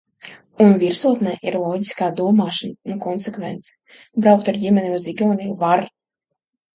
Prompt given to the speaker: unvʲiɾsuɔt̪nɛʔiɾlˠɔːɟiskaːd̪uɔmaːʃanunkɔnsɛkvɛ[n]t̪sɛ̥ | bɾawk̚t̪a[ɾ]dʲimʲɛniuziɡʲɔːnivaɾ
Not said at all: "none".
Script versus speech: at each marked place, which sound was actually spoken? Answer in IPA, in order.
n, ɾ

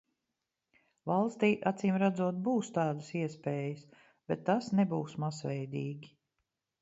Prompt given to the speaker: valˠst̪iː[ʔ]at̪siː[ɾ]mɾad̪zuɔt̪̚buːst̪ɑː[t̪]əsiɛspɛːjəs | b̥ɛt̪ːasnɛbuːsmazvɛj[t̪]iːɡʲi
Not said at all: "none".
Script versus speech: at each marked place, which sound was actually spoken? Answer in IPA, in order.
ʔ, none, d̪, d̪

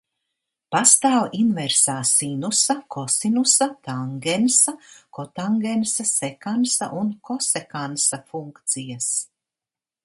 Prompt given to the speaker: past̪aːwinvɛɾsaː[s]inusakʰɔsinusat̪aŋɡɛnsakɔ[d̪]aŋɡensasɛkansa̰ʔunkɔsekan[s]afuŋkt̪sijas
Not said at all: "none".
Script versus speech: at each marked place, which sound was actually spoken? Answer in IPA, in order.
s, t̪, s

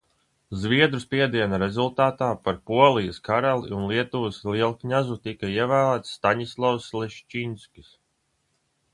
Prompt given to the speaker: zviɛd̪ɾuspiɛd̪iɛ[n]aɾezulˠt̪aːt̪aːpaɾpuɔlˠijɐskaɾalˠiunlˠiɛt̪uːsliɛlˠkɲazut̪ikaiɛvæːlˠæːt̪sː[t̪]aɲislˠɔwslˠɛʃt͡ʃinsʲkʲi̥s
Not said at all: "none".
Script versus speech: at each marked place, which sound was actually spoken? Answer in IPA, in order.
n, t̪

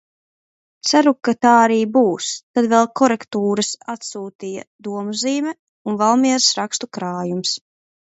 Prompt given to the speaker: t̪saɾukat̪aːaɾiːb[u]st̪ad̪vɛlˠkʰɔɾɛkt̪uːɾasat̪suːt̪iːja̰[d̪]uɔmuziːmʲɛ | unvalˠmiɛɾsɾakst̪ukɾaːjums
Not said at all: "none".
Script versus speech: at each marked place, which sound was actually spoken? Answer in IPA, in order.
uː, d̪

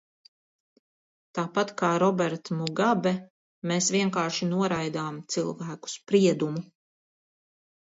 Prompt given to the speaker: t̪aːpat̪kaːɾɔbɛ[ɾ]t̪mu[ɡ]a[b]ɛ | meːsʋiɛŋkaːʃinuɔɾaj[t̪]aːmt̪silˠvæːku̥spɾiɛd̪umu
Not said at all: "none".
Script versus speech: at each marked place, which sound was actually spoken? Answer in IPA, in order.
ɾ, ɡ, b, d̪

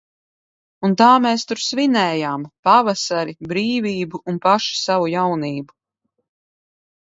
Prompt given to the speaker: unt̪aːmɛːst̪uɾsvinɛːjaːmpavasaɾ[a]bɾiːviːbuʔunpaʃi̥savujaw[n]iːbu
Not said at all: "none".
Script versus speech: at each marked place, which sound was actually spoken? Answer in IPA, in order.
i, n

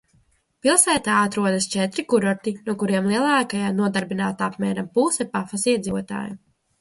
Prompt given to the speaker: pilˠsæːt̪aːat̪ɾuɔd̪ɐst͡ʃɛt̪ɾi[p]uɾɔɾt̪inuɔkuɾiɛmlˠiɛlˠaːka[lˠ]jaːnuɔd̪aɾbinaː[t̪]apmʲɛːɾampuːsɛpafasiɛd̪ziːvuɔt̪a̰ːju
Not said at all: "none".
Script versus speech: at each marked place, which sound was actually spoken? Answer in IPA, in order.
k, none, t̪

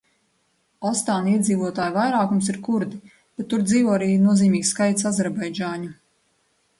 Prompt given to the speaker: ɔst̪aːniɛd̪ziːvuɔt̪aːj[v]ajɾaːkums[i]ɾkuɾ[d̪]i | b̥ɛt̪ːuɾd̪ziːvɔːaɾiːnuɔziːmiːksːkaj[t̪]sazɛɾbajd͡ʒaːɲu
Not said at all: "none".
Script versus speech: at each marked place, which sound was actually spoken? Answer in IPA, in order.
v, i, d̪, t̪

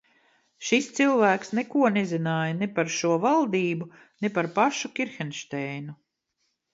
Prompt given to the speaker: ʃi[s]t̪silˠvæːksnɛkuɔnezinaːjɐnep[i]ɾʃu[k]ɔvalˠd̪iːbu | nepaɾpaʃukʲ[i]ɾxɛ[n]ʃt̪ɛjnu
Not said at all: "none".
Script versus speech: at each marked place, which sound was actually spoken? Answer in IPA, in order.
s, a, none, i, n

